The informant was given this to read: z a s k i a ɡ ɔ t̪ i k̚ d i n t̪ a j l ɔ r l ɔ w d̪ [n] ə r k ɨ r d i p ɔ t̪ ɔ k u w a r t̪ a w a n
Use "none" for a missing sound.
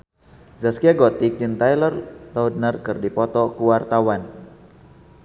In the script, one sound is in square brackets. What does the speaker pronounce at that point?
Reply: n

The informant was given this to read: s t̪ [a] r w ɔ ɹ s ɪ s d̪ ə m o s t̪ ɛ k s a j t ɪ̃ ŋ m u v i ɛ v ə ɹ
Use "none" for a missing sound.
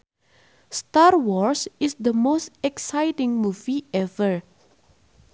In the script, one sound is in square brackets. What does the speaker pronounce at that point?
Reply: a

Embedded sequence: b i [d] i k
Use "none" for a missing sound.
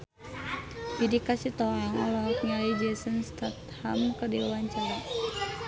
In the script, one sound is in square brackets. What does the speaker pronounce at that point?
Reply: d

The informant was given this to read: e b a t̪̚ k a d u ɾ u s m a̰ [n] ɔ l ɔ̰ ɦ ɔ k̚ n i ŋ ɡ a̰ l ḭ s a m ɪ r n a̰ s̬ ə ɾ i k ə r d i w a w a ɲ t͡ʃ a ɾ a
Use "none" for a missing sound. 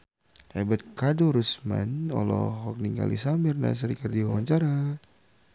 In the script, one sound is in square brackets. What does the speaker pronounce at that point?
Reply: n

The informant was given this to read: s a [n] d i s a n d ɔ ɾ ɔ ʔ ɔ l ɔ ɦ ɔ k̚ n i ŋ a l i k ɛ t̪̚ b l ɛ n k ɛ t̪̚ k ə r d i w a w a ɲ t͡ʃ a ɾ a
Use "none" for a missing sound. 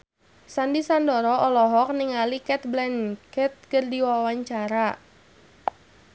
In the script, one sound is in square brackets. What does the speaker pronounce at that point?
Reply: n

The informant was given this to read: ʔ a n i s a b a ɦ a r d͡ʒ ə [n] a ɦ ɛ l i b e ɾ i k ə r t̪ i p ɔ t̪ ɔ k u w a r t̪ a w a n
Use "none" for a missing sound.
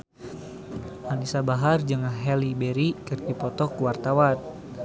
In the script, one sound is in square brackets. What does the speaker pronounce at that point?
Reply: ŋ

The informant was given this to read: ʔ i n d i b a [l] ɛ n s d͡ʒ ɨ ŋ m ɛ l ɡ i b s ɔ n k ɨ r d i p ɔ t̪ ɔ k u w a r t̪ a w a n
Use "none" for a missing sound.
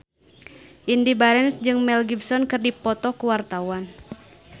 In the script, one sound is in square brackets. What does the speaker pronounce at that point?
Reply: ɾ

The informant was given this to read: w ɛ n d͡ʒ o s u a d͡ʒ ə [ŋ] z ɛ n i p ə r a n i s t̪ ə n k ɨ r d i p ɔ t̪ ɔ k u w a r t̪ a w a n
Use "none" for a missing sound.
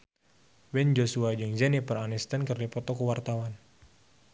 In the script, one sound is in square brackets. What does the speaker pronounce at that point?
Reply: ŋ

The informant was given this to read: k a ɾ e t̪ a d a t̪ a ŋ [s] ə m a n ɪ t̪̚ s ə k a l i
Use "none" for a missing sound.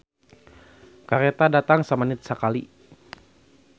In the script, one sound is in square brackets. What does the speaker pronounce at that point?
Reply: s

